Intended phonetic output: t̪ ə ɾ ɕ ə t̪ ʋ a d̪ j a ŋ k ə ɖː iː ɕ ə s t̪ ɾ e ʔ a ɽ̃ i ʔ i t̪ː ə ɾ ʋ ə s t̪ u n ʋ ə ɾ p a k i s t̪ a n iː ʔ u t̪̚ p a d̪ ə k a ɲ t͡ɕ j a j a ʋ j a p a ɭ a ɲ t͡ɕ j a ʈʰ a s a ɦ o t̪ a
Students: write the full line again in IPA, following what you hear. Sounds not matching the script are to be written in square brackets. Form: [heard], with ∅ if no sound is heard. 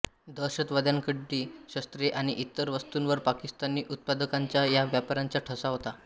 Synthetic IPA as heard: [d̪] ə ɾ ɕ ə t̪ ʋ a d̪ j a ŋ k ə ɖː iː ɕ ə s t̪ ɾ e ʔ a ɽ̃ i ʔ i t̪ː ə ɾ ʋ ə s t̪ u n ʋ ə ɾ p a k i s t̪ a n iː ʔ u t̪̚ p a d̪ ə k a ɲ t͡ɕ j a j a ʋ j a p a [ɾ] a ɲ t͡ɕ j a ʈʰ [ə] s a ɦ o t̪ a